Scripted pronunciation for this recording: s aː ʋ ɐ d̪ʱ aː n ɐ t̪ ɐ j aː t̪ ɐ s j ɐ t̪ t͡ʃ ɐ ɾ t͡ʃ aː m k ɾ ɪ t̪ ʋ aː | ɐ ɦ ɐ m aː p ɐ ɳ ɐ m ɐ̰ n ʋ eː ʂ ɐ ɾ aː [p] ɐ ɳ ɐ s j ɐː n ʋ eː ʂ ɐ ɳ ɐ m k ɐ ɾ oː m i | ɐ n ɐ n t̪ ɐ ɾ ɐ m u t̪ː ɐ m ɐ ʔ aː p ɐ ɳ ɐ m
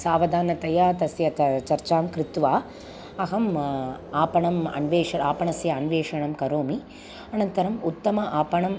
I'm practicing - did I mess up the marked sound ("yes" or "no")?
no